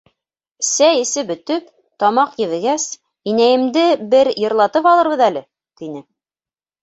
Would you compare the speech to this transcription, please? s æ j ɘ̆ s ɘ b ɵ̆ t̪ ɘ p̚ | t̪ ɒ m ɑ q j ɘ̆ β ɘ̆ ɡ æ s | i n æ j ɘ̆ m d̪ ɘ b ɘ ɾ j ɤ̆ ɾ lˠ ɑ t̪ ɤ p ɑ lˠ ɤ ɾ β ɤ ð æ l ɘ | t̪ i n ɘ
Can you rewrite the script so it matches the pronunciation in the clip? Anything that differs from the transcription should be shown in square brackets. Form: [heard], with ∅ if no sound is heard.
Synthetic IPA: s æ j ɘ̆ s ɘ b ɵ̆ t̪ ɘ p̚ | t̪ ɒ m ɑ q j ɘ̆ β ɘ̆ ɡ æ s | i n æ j ɘ̆ m d̪ ɘ b ɘ ɾ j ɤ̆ ɾ lˠ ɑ t̪ ɤ p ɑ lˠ ɤ ɾ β ɤ ð æ l ɘ | t̪ i n ɘ